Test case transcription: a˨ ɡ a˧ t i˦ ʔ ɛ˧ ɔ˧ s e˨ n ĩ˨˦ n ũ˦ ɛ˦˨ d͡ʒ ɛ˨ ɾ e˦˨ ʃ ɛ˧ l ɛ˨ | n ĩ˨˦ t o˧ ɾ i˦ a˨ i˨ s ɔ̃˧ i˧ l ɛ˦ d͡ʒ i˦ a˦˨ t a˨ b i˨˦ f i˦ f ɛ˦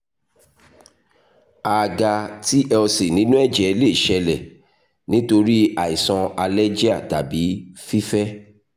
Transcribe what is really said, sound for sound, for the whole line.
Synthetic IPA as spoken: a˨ ɡ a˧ t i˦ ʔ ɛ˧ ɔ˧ s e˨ n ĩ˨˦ n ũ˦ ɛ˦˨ d͡ʒ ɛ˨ l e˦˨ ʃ ɛ˧ l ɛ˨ | n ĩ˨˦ t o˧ ɾ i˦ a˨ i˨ s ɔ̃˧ a˧ l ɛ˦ d͡ʒ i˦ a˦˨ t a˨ b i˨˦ f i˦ f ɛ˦